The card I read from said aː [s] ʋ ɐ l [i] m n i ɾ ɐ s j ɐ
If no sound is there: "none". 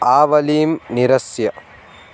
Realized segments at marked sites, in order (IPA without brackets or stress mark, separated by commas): none, iː